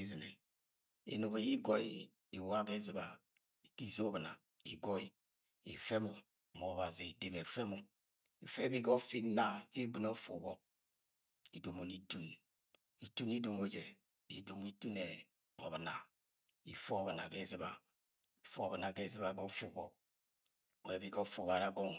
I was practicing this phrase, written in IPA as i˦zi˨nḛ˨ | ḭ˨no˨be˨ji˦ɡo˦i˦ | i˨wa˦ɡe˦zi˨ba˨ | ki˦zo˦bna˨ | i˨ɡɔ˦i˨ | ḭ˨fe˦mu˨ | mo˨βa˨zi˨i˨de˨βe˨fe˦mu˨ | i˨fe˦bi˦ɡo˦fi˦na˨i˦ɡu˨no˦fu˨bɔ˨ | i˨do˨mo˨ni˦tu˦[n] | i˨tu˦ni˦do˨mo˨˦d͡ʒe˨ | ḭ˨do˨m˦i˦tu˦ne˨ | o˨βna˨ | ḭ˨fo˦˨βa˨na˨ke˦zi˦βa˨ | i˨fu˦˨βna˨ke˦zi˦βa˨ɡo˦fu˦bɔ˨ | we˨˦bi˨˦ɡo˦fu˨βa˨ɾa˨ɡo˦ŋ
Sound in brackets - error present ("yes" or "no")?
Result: no